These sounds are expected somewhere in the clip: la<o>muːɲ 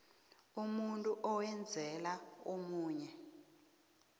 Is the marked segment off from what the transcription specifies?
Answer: no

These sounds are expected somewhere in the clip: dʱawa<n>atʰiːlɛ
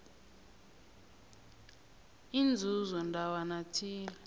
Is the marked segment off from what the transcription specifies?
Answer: no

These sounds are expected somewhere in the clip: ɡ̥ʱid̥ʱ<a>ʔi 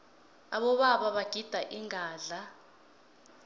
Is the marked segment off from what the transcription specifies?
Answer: no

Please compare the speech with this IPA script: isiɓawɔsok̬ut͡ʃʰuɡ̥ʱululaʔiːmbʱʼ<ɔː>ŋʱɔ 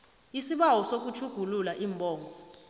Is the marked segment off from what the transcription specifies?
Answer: no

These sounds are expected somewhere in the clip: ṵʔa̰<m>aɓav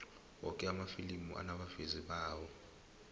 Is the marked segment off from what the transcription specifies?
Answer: yes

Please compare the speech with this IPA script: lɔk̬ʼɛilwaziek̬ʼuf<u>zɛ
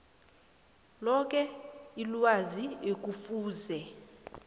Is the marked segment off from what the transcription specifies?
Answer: yes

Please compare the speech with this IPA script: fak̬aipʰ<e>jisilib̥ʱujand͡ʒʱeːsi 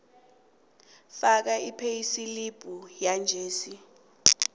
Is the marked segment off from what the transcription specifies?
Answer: no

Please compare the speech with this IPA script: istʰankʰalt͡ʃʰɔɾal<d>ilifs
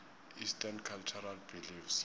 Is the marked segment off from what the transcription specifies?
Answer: yes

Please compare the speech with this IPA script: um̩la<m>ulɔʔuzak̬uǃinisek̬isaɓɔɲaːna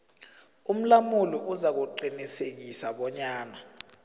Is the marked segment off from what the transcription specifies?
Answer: no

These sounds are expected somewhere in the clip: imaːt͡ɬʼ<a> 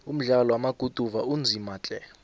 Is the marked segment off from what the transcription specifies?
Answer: yes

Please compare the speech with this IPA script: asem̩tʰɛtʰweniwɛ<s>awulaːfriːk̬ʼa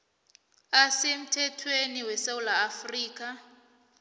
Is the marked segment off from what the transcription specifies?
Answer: no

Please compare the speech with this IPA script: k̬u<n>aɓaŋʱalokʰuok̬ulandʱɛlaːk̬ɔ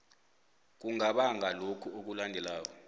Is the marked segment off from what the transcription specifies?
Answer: yes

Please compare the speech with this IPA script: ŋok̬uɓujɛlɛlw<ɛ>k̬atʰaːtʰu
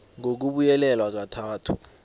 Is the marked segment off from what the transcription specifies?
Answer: yes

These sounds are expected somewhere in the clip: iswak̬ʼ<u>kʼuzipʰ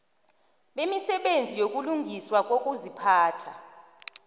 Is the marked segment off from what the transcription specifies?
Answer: yes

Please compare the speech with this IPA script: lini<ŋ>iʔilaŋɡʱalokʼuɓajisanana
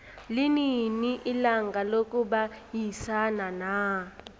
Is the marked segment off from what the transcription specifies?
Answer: yes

